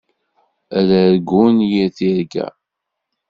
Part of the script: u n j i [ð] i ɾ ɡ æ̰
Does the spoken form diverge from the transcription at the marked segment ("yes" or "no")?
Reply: yes